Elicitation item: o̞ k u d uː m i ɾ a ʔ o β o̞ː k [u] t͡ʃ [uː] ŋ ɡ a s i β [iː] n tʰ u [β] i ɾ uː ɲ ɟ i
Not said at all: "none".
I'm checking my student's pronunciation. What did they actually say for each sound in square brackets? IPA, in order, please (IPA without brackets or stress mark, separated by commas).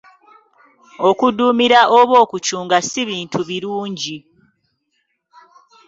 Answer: u, uː, iː, β